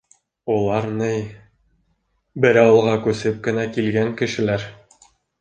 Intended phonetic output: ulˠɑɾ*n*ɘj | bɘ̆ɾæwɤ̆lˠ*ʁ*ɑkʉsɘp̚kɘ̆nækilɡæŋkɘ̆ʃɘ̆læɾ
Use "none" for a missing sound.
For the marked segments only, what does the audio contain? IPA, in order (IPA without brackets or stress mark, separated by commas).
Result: n, ʁ